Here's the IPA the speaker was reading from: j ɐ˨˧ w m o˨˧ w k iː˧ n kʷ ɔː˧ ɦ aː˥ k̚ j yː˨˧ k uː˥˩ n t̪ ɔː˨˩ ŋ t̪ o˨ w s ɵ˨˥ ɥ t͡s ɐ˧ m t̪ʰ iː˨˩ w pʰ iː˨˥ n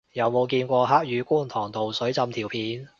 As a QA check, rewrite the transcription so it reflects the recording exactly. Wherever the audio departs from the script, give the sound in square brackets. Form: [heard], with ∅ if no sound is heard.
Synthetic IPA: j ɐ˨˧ w m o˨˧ w k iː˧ n kʷ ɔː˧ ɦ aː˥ k̚ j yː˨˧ k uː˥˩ n [t̪ʰ] ɔː˨˩ ŋ t̪ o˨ w s ɵ˨˥ ɥ t͡s ɐ˧ m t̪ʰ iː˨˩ w pʰ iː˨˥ n